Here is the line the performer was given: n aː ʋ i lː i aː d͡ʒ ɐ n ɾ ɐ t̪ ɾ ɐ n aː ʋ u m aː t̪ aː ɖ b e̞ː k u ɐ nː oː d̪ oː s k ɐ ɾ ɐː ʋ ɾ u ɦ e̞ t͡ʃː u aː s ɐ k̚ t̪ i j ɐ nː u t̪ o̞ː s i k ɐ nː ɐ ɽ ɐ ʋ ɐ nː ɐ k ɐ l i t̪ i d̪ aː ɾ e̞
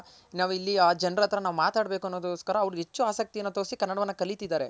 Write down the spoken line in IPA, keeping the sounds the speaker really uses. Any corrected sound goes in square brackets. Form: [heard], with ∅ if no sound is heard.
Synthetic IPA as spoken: n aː ʋ i lː i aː d͡ʒ ɐ n ɾ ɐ t̪ ɾ ɐ n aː ʋ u m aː t̪ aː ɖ b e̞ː k u ɐ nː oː d̪ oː s k ɐ ɾ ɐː ʋ ɾ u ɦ e̞ t͡ʃː u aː s ɐ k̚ t̪ i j ɐ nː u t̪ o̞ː s i k ɐ nː ɐ ɽ ɐ ʋ ɐ nː ɐ k ɐ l i t̪ i d̪ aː ɾ e̞